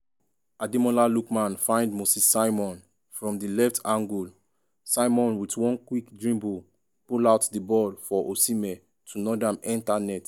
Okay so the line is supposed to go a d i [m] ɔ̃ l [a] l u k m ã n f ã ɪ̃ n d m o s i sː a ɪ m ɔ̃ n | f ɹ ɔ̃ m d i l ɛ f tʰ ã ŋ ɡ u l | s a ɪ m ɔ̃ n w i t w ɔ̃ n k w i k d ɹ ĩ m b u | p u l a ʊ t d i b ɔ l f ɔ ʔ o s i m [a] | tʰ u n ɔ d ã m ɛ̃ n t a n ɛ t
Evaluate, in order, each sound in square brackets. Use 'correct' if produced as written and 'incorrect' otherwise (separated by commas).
correct, correct, incorrect